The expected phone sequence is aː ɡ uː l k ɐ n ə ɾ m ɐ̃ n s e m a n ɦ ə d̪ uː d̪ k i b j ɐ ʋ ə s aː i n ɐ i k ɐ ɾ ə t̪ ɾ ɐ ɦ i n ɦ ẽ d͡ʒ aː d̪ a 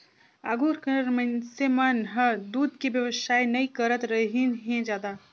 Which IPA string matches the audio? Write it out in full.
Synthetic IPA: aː ɡ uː ɾ k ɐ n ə ɾ m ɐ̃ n s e m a n ɦ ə d̪ uː d̪ k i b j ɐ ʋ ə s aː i n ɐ i k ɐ ɾ ə t̪ ɾ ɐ ɦ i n ɦ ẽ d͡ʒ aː d̪ a